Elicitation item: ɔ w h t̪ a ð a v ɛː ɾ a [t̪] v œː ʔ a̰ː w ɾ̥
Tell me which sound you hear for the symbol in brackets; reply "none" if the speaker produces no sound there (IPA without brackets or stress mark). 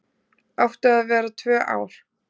t̪ʰ